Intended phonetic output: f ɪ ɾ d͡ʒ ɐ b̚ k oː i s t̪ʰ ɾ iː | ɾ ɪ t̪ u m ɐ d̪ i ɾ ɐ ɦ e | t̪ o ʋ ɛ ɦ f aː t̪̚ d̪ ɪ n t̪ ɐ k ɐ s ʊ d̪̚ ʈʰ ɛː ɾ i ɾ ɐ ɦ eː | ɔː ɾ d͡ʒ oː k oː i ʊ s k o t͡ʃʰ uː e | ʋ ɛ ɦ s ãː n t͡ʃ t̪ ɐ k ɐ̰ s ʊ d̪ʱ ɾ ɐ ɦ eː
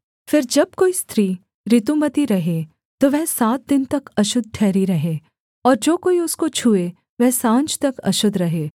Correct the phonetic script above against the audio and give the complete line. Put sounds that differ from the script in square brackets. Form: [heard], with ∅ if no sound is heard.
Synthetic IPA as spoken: f ɪ ɾ d͡ʒ ɐ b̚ k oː i s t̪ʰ ɾ iː | ɾ ɪ t̪ u m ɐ [t̪] i ɾ ɐ ɦ e | t̪ o ʋ ɛ ɦ [s] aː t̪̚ d̪ ɪ n t̪ ɐ k ɐ [ʃ] ʊ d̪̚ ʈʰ ɛː ɾ i ɾ ɐ ɦ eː | ɔː ɾ d͡ʒ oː k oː i ʊ s k o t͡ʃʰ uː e | ʋ ɛ ɦ s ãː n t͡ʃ t̪ ɐ k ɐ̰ [ʃ] ʊ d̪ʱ ɾ ɐ ɦ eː